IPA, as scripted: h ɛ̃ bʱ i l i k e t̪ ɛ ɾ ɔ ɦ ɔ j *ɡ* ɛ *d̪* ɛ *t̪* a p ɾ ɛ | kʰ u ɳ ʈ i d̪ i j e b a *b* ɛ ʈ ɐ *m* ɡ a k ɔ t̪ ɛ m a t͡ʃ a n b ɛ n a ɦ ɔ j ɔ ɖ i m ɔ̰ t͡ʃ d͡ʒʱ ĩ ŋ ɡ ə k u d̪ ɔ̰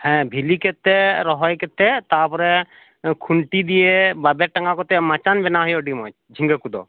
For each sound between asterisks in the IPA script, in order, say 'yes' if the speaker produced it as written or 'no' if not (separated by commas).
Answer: no, no, yes, yes, no